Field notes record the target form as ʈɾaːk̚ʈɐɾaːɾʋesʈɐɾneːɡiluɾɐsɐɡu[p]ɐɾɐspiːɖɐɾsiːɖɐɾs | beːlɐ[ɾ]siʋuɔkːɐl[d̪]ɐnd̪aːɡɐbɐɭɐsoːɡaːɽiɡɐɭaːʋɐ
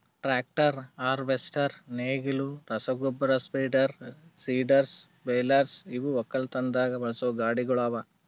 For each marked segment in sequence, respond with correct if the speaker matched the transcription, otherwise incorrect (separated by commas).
incorrect, correct, incorrect